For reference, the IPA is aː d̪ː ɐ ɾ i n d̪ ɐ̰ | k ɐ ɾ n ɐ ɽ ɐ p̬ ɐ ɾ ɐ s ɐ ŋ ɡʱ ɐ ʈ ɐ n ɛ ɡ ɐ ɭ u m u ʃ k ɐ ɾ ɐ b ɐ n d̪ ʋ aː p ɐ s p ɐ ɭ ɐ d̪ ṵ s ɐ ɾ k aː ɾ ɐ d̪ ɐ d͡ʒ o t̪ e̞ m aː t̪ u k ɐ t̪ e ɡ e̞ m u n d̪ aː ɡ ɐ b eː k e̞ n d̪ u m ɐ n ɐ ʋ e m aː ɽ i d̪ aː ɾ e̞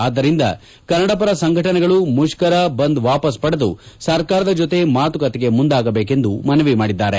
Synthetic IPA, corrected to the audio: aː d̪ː ɐ ɾ i n d̪ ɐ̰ | k ɐ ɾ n ɐ ɽ ɐ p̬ ɐ ɾ ɐ s ɐ ŋ ɡʱ ɐ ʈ ɐ n ɛ ɡ ɐ ɭ u m u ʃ k ɐ ɾ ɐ b ɐ n d̪ ʋ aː p ɐ s p ɐ ɽ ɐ d̪ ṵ s ɐ ɾ k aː ɾ ɐ d̪ ɐ d͡ʒ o t̪ e̞ m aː t̪ u k ɐ t̪ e ɡ e̞ m u n d̪ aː ɡ ɐ b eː k e̞ n d̪ u m ɐ n ɐ ʋ i m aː ɽ i d̪ː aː ɾ e̞